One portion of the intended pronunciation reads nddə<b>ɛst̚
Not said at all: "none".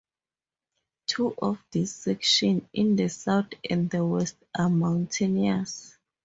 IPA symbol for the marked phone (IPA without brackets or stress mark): w